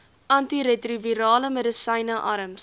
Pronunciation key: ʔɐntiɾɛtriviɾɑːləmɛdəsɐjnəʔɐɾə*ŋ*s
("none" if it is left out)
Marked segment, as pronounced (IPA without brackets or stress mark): m